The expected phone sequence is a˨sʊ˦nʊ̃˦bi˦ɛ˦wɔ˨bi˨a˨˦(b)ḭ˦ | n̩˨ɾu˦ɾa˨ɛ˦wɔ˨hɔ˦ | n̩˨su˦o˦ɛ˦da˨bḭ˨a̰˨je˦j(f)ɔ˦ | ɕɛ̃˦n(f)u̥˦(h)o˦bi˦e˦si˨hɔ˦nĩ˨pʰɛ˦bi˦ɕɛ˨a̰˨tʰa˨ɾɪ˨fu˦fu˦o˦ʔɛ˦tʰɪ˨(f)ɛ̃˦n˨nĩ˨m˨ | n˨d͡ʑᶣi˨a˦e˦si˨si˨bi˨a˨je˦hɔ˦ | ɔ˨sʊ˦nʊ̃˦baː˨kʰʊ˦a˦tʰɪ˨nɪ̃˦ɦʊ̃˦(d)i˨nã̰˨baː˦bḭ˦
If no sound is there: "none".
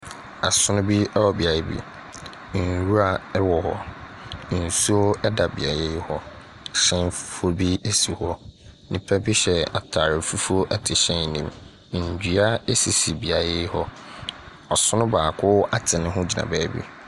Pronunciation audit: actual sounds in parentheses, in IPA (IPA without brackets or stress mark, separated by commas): b, h, f, f, ɕ, d͡ʑ